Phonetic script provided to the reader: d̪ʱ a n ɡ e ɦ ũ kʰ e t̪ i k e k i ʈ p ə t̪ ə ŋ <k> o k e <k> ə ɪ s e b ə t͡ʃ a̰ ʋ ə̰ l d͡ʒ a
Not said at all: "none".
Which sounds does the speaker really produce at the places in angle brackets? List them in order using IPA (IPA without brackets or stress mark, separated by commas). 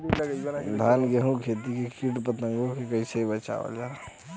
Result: ɡ, k